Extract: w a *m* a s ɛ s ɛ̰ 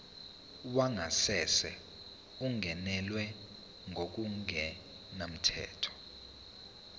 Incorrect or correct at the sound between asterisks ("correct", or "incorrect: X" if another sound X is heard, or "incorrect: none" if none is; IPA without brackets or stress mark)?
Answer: incorrect: ŋ